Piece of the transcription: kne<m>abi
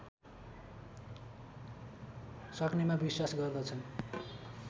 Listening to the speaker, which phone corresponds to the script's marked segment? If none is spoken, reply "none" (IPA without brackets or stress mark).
m